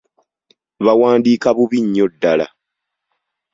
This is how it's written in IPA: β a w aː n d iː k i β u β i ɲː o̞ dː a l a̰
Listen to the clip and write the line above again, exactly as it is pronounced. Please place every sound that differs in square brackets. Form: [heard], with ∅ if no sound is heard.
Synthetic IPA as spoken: β a w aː n d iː k [a] β u β i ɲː o̞ dː a l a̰